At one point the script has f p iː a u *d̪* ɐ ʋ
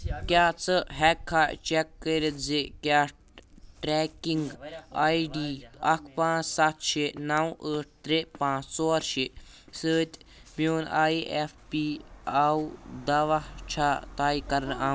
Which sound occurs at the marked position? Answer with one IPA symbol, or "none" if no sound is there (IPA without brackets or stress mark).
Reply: d̪